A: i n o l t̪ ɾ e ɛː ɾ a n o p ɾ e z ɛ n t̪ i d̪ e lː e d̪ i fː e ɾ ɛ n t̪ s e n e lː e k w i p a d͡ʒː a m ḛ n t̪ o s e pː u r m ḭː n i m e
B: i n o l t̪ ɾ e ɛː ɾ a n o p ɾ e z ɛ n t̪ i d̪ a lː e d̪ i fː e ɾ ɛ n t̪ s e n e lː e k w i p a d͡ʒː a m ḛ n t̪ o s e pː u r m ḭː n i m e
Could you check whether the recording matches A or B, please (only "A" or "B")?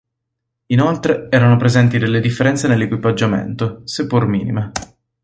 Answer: A